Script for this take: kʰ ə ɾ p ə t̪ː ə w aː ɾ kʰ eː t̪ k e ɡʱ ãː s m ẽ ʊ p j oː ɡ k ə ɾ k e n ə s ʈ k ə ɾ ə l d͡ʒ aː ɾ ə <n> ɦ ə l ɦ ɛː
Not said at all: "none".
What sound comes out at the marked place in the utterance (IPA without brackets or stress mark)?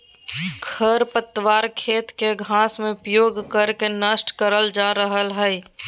none